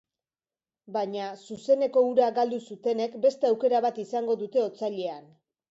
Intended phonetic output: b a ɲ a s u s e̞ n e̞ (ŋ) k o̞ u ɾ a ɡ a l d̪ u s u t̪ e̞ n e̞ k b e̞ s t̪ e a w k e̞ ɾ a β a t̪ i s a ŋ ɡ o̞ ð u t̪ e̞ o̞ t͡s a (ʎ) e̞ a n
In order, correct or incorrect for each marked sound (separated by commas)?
incorrect, correct